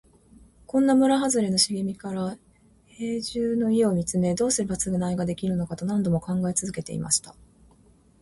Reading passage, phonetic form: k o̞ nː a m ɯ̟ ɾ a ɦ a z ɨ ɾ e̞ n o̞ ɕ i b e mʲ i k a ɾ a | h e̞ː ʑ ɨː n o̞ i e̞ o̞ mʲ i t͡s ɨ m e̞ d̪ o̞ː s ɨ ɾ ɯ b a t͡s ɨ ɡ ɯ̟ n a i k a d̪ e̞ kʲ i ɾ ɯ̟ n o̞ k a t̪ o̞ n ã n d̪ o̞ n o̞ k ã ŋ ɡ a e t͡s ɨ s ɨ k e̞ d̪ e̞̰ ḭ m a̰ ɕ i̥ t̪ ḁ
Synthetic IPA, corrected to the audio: k õ̞ nː a m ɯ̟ ɾ a ɦ a z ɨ ɾ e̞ n o̞ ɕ i ɡ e mʲ i k a ɾ a | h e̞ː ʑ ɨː n o̞ i e̞ o̞ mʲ i t͡s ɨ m e̞ d̪ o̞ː s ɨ ɾ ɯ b a t͡s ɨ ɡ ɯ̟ n a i ɡ a d̪ e̞ kʲ i ɾ ɯ̟ n o̞ k a t̪ o̞ n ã n d̪ o̞ m o̞ k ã ŋ ɡ a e t͡s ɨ z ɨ k e̞ t̪ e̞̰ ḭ m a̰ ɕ i̥ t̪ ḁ